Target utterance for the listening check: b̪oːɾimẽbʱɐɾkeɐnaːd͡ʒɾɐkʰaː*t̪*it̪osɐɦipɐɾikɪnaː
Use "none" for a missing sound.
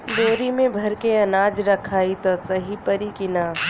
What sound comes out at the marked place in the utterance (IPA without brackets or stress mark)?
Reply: none